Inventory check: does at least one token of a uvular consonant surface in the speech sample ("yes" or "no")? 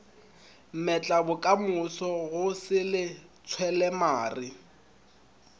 no